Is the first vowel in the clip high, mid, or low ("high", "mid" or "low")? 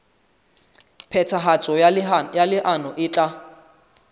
mid